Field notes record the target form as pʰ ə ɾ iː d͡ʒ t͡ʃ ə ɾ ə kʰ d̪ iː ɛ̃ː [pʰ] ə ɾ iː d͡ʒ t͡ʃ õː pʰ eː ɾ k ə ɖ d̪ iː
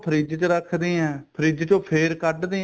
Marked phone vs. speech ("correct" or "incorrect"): correct